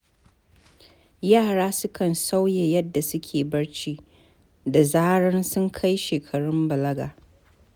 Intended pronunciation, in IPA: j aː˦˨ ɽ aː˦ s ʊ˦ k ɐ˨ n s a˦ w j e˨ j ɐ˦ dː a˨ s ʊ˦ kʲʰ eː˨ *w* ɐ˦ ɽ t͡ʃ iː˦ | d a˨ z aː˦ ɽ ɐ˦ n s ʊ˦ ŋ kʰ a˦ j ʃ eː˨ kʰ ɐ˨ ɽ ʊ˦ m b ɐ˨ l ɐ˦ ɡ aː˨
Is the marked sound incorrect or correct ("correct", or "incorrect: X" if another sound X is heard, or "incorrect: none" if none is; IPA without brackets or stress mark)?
incorrect: b